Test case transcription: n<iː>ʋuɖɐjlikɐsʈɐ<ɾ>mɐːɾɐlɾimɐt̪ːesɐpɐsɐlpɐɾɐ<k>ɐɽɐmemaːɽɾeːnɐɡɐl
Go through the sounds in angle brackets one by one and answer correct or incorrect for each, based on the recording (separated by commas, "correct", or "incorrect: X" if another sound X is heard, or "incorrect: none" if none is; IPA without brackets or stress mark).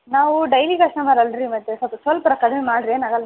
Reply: incorrect: aː, incorrect: none, correct